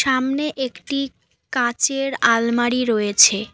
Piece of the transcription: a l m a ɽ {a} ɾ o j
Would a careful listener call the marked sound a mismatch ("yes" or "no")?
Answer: yes